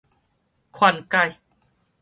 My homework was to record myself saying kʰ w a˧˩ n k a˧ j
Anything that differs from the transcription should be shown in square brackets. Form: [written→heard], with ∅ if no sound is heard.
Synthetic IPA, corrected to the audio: kʰ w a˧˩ n k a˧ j